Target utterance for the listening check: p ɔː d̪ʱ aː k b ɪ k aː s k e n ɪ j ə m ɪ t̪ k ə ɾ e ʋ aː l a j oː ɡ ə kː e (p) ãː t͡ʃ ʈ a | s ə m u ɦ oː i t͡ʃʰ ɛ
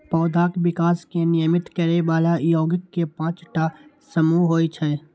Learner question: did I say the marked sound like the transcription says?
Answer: yes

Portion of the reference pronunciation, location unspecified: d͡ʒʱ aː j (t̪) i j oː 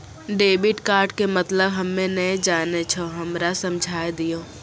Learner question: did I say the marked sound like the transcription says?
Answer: no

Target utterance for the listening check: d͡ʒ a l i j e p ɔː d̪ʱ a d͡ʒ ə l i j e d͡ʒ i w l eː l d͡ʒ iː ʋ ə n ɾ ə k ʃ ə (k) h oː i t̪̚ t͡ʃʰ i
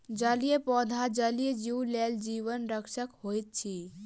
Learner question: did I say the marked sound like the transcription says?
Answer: yes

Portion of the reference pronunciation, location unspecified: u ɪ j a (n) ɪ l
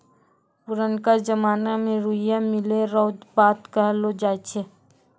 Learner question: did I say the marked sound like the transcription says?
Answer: no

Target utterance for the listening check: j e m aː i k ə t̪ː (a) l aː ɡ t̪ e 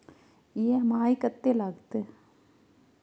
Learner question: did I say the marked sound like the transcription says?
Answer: no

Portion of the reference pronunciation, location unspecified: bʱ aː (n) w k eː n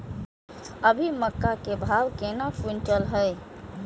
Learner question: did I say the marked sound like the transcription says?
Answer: no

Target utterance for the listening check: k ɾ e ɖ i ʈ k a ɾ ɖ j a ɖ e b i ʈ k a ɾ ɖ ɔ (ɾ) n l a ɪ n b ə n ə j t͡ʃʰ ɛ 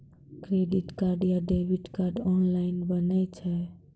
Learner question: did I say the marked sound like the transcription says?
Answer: no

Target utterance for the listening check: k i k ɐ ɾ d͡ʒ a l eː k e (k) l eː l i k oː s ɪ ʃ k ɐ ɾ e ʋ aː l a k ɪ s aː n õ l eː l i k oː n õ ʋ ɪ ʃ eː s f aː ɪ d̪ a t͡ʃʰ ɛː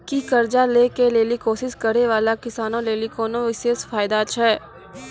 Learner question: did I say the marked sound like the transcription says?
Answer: no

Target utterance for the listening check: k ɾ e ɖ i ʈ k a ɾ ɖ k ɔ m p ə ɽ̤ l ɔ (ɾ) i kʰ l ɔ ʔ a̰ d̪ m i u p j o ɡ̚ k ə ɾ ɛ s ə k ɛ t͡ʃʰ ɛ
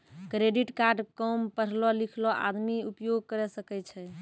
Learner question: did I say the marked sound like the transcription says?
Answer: no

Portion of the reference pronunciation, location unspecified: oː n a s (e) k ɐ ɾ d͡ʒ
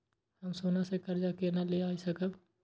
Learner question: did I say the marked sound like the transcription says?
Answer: yes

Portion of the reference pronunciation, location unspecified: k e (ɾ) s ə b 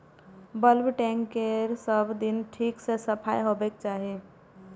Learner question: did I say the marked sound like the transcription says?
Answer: yes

